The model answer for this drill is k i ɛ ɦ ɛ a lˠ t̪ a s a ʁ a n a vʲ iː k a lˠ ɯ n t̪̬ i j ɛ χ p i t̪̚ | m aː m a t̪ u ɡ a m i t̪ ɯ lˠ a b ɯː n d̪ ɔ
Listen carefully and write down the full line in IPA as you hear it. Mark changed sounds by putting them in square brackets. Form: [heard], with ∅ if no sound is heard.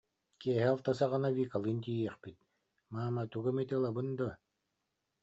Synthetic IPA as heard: k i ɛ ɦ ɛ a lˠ t̪ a s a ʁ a n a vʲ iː k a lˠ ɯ n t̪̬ i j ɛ χ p i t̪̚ | m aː m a t̪ u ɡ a m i t̪ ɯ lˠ a b [ɯ] n d̪ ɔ